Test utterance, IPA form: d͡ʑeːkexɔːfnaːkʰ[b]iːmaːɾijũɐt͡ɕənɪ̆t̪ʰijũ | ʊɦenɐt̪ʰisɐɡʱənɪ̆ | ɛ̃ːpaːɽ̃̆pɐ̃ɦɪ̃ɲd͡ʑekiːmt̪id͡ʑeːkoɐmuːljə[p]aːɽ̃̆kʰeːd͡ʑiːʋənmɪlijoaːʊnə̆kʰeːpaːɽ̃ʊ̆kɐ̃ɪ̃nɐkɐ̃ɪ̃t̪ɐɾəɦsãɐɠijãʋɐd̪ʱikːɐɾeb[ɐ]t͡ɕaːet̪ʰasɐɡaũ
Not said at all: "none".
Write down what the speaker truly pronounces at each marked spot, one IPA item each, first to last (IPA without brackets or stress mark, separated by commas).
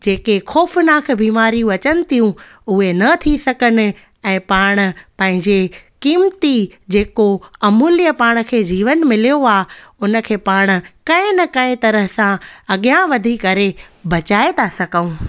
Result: b, p, ɐ